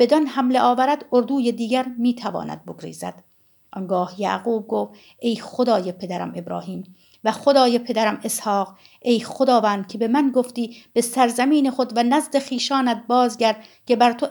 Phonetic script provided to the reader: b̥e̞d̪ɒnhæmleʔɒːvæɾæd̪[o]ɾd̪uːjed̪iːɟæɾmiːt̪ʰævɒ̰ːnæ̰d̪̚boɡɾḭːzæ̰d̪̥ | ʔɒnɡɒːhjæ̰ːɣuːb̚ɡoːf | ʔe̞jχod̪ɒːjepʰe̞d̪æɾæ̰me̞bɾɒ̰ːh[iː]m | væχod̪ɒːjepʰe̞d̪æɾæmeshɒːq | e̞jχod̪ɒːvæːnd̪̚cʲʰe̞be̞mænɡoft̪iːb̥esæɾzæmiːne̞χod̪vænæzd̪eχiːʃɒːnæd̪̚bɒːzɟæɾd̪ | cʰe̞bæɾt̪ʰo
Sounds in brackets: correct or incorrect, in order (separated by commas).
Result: correct, correct